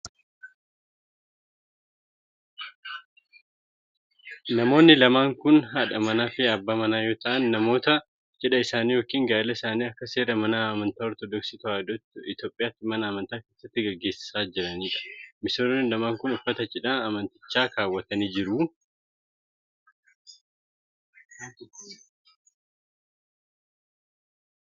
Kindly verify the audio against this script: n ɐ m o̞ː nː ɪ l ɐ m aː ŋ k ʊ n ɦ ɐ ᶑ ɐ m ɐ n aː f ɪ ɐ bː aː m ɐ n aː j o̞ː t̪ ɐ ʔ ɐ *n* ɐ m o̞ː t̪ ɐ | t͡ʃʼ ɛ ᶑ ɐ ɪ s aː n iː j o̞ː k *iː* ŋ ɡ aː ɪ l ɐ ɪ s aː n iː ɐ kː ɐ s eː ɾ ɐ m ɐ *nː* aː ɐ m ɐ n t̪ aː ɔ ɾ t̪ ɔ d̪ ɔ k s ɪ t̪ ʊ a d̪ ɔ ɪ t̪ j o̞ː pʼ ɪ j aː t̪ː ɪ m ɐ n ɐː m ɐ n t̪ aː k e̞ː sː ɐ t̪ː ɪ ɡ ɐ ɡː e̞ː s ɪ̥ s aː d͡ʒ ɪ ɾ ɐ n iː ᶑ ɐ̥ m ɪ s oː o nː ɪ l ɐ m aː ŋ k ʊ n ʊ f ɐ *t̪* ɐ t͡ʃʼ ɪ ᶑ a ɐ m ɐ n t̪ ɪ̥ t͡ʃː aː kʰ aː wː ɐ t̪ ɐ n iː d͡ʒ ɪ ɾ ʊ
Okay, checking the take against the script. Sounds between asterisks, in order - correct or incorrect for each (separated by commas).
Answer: incorrect, correct, incorrect, correct